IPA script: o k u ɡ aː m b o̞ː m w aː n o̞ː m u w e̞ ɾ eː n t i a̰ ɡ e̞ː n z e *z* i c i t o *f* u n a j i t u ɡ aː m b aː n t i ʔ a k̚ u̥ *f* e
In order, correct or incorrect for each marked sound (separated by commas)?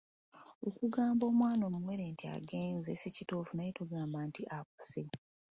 incorrect, correct, incorrect